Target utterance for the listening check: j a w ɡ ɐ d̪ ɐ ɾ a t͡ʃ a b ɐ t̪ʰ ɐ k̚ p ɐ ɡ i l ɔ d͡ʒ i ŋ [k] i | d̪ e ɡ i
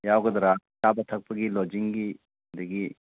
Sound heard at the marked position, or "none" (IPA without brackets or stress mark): ɡ